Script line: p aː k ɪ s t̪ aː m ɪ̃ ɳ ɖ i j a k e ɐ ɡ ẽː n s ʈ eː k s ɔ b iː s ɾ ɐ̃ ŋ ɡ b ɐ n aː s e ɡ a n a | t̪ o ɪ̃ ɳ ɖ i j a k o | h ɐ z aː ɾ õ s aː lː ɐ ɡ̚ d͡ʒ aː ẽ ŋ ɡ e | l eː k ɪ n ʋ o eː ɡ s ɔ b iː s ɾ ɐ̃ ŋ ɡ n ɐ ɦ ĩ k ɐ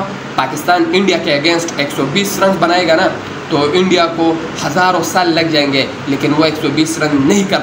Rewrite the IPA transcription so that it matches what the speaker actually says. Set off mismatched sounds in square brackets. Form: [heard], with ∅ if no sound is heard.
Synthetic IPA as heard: p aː k ɪ s t̪ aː [n] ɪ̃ ɳ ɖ i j a k e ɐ ɡ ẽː n s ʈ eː k s ɔ b iː s ɾ ɐ̃ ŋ ɡ b ɐ n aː [∅] e ɡ a n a | t̪ o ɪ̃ ɳ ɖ i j a k o | h ɐ z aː ɾ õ s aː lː ɐ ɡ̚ d͡ʒ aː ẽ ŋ ɡ e | l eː k ɪ n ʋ o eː [k] s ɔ b iː s ɾ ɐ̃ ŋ ɡ n ɐ ɦ ĩ k ɐ